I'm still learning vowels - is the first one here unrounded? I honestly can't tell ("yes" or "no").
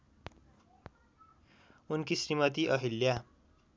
no